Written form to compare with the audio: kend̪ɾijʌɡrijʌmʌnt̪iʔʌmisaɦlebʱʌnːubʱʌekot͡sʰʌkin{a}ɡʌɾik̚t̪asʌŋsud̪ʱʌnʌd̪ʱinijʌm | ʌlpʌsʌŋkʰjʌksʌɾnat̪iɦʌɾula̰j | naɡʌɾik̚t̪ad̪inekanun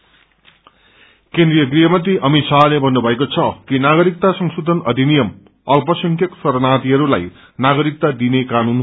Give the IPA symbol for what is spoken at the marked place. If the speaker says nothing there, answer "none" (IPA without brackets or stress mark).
a